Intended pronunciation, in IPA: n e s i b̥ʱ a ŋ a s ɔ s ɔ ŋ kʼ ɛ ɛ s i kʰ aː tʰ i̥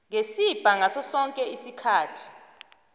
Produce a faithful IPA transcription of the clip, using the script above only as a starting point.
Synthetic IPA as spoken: ŋ e s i b̥ʱ a ŋ a s ɔ s ɔ ŋ kʼ ɛ i s i kʰ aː tʰ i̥